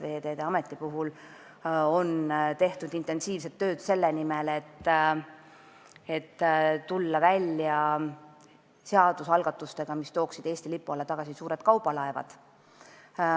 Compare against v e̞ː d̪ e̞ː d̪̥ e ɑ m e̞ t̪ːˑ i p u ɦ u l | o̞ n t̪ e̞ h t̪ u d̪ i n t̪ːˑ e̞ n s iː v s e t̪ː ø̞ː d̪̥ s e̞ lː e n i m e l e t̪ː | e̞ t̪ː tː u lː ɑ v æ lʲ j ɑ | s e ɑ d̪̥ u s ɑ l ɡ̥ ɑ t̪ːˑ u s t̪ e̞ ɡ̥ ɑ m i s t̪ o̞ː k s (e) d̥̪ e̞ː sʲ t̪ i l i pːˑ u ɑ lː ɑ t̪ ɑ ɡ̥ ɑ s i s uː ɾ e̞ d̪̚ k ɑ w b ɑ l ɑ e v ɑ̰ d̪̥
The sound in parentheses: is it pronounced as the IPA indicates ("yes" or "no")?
no